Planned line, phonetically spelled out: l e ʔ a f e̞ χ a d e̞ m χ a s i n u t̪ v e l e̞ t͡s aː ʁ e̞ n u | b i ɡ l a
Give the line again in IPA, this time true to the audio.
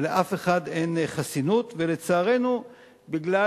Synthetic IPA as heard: l e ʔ a f e̞ χ a d e̞ n χ a s i n u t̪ v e l e̞ t͡s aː ʁ e̞ n u | b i ɡ l a